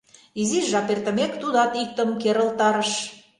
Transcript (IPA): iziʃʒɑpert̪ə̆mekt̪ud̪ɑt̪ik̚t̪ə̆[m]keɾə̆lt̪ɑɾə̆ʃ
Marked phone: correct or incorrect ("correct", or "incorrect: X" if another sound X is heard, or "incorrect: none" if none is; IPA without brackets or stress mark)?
correct